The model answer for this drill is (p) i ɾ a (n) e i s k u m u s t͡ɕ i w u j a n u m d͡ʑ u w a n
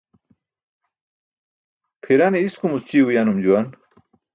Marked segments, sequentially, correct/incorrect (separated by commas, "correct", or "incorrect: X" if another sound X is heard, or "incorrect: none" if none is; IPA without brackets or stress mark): incorrect: pʰ, correct